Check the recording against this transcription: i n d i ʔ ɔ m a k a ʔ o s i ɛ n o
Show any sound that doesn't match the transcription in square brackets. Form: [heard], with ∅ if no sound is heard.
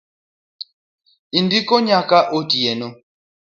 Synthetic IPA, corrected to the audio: i n d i [k] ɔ [ɲ] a k a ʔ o [t] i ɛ n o